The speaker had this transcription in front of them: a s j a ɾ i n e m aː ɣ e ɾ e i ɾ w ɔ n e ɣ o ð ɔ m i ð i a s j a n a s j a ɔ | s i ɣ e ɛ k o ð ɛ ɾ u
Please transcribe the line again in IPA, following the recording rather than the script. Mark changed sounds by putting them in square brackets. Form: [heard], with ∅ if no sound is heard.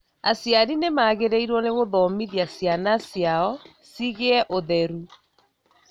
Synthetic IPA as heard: a s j a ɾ i n e m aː ɣ e ɾ e i ɾ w ɔ n e ɣ o ð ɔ m i ð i a s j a n a s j a ɔ | s i ɣ e ɛ [ʔ] o ð ɛ ɾ u